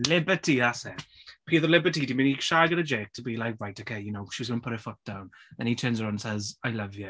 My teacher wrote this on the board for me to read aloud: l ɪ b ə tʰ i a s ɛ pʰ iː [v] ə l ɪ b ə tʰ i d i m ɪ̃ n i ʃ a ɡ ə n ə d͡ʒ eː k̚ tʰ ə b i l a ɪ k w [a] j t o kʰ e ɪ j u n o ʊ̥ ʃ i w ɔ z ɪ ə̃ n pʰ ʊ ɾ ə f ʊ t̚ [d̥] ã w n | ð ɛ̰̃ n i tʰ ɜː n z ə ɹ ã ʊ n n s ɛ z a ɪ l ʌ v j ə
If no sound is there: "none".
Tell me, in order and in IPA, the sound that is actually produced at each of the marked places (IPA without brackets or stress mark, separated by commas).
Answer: ð, a, d̥